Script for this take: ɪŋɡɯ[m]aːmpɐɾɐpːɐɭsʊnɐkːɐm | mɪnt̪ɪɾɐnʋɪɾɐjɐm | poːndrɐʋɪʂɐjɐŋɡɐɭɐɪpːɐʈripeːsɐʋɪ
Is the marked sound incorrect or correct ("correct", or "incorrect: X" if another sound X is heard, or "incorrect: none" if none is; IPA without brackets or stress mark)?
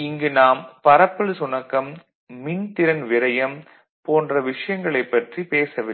incorrect: n